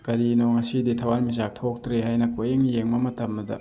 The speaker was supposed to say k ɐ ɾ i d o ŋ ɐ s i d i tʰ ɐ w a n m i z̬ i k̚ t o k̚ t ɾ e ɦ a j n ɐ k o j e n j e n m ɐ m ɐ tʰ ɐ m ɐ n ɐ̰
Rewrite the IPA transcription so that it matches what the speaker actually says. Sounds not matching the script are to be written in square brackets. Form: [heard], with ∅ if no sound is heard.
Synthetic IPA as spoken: k ɐ ɾ i [n] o ŋ ɐ s i d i tʰ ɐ w a n m i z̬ [a] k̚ [tʰ] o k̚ t ɾ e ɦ a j n ɐ k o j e [ŋ] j e [ŋ] m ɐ m ɐ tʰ ɐ m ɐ [d] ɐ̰

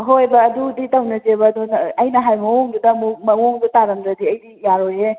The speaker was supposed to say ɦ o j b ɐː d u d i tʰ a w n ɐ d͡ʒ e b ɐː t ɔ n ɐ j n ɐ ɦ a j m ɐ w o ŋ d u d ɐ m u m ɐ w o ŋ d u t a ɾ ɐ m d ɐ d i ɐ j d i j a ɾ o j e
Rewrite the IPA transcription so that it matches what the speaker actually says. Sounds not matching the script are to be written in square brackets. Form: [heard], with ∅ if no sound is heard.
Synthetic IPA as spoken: ɦ o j b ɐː d u d i [t] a w n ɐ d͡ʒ e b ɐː [d] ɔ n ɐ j n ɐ ɦ a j m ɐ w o ŋ d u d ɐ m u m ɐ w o ŋ d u t a ɾ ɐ m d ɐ d i ɐ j d i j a ɾ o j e

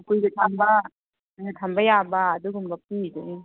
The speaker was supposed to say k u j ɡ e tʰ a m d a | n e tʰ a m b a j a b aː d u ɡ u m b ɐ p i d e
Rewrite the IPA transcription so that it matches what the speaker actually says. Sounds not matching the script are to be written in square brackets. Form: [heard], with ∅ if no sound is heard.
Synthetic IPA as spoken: k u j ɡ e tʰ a m [b] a | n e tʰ a m b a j a b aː d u ɡ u m b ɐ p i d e

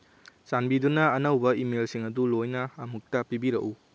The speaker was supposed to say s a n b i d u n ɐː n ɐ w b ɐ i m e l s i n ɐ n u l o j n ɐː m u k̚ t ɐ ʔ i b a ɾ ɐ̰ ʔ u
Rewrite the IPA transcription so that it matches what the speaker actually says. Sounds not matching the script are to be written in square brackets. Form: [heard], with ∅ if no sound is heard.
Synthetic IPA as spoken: s a n b i d u n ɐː n ɐ w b ɐ i m e l s i [ŋ] ɐ [d] u l o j n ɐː m u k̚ t ɐ [p] i b [i] ɾ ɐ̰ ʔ u

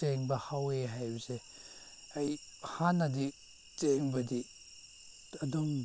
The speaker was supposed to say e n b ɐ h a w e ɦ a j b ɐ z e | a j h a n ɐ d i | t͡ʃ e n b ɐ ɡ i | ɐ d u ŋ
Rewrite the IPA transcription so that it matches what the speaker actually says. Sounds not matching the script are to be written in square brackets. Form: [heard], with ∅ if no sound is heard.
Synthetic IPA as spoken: e [ŋ] b ɐ h a w e ɦ a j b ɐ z e | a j h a n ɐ d i | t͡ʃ e [ŋ] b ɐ [d] i | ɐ d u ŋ

